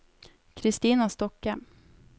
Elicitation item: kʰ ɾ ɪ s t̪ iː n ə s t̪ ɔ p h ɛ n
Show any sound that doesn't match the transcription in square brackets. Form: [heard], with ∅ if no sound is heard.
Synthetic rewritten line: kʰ ɾ ɪ s t̪ iː n [a] s t̪ ɔ [k] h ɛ [m]